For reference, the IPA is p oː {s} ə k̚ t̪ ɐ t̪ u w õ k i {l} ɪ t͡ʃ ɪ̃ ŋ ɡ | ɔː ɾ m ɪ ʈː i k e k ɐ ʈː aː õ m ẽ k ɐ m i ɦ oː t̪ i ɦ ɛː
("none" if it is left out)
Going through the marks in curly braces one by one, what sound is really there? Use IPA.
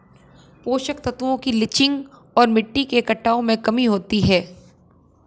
ʃ, l

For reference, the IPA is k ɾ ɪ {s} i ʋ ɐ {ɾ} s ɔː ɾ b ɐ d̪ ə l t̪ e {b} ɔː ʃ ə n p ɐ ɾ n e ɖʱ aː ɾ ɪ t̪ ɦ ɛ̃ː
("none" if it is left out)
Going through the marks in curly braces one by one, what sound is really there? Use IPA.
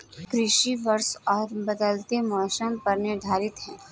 ʃ, ɾ, m

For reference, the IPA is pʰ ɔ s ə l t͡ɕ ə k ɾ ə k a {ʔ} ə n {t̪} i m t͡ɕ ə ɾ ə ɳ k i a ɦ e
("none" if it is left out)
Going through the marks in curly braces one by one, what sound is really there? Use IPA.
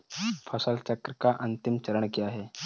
ʔ, t̪

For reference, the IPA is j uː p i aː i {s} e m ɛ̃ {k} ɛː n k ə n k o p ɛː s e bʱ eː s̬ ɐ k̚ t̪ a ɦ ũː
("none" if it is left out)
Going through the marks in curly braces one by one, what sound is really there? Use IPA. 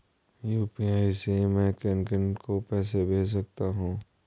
s, k

